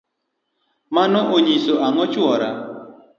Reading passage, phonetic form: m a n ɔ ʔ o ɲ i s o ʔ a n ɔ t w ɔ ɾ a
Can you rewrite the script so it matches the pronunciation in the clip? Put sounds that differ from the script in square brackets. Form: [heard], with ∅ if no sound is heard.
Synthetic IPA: m a n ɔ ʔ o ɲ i s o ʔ a [ŋ] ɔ [t͡ʃ] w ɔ ɾ a